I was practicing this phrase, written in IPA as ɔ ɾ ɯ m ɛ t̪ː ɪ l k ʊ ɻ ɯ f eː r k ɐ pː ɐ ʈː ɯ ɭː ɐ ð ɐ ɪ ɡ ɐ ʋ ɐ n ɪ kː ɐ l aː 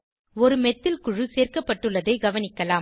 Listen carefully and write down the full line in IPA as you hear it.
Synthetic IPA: ɔ ɾ ɯ m ɛ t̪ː ɪ l k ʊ ɻ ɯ s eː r k ɐ pː ɐ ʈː ɯ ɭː ɐ ð ɐ ɪ ɡ ɐ ʋ ɐ n ɪ kː ɐ l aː